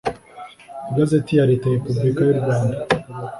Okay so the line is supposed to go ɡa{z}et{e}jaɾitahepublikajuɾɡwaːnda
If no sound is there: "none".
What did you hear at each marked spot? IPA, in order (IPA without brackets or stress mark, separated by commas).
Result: z, i